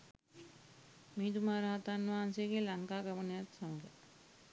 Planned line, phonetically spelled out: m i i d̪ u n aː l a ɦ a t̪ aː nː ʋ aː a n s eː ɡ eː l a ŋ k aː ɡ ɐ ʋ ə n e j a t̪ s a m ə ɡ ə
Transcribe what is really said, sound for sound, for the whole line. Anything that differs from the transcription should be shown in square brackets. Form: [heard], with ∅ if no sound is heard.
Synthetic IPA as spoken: m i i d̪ u [m] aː [ɾ] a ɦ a t̪ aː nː ʋ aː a n s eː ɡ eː l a ŋ k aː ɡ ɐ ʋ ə n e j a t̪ s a m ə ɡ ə